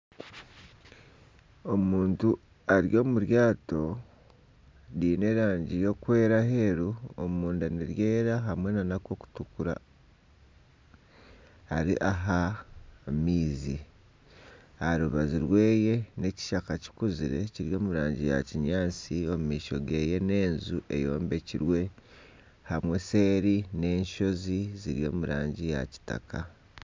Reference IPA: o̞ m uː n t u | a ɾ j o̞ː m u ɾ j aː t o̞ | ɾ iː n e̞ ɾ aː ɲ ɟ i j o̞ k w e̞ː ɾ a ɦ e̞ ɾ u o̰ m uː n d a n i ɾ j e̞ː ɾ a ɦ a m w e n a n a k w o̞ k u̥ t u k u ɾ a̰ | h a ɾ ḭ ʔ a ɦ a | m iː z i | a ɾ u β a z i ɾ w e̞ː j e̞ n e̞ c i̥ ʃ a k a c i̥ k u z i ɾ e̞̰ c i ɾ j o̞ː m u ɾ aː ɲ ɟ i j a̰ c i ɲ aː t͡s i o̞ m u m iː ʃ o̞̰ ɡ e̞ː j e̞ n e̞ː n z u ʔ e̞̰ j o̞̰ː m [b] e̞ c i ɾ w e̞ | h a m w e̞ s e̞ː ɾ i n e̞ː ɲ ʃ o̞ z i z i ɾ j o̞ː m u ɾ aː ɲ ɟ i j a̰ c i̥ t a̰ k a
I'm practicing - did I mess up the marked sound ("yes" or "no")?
no